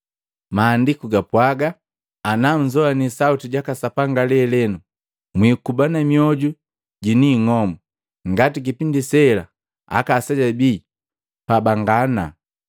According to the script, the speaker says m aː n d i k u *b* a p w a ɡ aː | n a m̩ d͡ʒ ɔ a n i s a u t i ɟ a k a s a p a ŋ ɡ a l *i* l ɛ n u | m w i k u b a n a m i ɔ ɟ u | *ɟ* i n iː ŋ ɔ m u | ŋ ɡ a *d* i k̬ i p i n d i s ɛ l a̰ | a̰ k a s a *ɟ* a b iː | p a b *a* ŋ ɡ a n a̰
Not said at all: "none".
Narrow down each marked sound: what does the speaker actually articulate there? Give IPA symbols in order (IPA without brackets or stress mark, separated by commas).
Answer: ɡ, ɛ, ɟ, t, ɟ, a